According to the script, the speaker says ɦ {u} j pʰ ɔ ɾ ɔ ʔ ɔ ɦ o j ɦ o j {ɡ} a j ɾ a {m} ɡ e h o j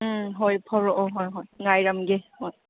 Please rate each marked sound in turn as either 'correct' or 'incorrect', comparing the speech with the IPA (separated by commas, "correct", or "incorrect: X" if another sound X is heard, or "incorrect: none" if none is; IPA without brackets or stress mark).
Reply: incorrect: o, incorrect: ŋ, correct